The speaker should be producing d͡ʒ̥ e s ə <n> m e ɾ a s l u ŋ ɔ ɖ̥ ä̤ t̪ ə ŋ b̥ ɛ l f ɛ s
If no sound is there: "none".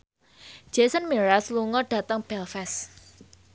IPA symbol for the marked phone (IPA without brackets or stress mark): n